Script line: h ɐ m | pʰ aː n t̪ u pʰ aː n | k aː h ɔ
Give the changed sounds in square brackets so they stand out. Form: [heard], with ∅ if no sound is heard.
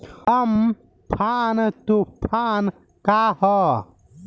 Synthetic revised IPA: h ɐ m | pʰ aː n t̪ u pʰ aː n | k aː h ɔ